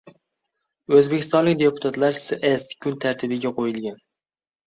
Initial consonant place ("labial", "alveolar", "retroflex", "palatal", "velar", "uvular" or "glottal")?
alveolar